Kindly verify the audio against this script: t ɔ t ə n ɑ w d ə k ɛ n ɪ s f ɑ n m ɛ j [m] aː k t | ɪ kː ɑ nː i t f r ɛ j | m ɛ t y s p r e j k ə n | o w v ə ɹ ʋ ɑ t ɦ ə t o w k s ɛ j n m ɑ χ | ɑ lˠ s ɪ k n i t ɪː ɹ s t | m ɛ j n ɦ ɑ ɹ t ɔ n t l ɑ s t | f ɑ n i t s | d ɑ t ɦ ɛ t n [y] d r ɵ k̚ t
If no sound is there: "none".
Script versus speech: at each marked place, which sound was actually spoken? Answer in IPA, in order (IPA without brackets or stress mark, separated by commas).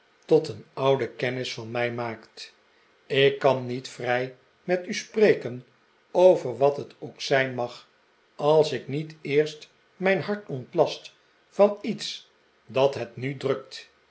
m, y